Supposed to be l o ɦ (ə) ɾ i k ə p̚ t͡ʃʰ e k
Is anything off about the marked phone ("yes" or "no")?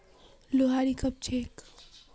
yes